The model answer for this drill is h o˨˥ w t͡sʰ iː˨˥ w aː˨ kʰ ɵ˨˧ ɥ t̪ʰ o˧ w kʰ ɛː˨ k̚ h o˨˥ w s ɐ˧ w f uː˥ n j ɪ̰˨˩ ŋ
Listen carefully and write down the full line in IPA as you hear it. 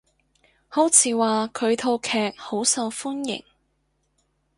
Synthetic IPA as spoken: h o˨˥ w t͡sʰ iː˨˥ w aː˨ kʰ ɵ˨˧ ɥ t̪ʰ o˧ w kʰ ɛː˨ k̚ h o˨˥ w s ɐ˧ w f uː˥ n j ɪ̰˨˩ ŋ